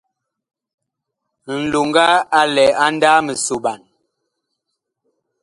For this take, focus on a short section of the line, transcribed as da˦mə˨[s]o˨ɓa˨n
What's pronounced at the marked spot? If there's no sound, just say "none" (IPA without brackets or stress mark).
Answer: s